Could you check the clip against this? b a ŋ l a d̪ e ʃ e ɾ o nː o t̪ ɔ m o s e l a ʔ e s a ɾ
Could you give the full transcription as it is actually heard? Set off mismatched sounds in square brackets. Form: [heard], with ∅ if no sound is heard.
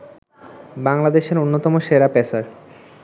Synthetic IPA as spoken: b a ŋ l a d̪ e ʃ e ɾ o nː o t̪ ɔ m o [ʃ] e [ɾ] a [p] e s a ɾ